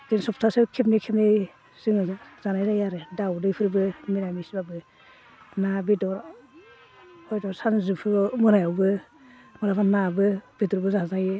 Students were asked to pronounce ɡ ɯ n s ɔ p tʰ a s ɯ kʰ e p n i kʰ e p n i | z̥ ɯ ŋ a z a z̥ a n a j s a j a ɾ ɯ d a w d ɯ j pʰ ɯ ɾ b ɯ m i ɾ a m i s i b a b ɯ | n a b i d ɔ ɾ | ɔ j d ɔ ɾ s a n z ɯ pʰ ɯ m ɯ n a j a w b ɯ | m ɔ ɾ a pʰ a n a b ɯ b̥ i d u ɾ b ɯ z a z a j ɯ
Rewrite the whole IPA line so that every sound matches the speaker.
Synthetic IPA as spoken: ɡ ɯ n s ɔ p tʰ a s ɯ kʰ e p n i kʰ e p n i | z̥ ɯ ŋ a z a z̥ a n a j z a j a ɾ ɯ d a w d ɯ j pʰ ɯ ɾ b ɯ m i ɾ a m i s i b a b ɯ | n a b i d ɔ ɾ | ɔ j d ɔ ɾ s a n z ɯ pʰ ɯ m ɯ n a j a w b ɯ | m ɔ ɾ a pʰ a n a b ɯ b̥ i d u ɾ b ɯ z a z a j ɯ